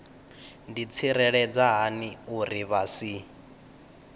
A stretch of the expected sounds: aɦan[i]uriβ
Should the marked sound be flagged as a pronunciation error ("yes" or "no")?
no